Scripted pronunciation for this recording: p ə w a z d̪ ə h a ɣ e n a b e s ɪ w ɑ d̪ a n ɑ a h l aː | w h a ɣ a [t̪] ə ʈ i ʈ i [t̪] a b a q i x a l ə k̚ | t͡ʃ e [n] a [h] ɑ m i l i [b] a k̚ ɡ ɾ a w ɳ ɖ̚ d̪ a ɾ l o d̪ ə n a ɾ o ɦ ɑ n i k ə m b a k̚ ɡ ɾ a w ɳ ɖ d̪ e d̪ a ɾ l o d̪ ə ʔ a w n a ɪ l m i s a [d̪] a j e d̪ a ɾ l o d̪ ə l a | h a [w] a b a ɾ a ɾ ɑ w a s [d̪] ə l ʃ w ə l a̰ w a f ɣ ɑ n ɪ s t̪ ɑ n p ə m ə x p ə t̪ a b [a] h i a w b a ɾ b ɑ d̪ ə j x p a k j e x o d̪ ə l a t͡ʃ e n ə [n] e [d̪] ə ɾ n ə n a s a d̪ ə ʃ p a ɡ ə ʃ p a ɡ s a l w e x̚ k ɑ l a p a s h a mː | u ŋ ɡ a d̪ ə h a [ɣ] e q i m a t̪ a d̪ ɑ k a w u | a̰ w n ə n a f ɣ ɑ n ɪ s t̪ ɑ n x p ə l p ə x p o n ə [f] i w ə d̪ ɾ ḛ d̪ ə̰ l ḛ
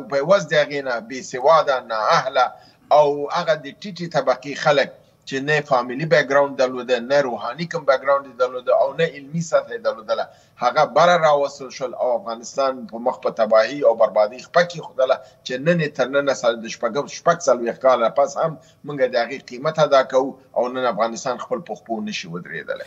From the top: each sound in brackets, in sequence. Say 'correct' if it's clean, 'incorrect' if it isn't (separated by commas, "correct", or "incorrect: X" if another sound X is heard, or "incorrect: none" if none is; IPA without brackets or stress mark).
incorrect: d̪, correct, correct, incorrect: f, correct, incorrect: t̪, incorrect: ɣ, incorrect: t̪, incorrect: ɑ, correct, incorrect: t̪, correct, incorrect: ʃ